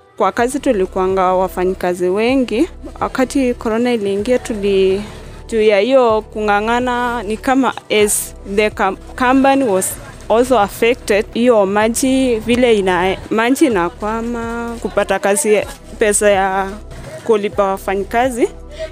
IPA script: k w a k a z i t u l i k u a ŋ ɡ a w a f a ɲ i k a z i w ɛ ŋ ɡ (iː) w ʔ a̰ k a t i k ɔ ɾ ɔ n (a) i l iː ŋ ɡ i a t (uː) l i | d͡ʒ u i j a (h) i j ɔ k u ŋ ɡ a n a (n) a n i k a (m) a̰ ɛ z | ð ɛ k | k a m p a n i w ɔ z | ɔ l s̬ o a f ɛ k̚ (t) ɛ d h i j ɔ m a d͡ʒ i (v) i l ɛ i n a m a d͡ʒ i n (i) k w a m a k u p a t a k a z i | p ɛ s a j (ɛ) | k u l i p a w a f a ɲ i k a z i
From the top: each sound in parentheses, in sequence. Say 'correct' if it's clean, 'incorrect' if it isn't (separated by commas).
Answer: incorrect, correct, incorrect, correct, correct, correct, correct, correct, incorrect, incorrect